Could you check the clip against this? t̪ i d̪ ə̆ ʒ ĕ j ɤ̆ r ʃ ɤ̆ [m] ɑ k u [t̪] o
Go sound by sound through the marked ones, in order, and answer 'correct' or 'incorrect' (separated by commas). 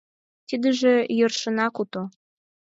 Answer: incorrect, correct